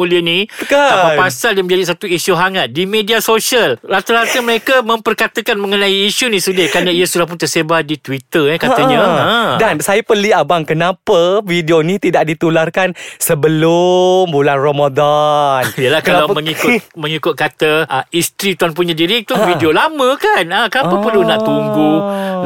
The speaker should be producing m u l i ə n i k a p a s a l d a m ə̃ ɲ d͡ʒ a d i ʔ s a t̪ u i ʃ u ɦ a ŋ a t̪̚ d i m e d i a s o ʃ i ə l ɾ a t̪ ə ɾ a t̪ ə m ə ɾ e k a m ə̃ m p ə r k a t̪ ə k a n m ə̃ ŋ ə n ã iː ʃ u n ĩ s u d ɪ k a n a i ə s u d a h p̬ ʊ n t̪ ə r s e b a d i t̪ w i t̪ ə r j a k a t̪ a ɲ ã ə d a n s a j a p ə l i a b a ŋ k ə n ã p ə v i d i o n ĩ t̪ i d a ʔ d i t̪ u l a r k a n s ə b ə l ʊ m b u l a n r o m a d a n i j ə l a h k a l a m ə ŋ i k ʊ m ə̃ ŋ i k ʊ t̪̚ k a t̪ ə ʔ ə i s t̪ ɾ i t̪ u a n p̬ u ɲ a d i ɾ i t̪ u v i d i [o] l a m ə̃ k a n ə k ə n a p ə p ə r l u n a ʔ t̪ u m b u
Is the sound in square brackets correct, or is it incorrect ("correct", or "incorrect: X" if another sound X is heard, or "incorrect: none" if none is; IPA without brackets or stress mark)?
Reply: correct